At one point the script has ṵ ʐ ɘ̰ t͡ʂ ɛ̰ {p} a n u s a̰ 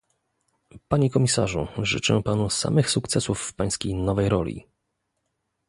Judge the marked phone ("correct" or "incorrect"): correct